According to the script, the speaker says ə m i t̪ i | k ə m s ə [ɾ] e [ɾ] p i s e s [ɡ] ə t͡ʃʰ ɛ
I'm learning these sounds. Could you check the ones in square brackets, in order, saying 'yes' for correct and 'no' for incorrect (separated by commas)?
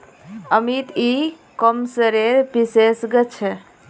yes, yes, yes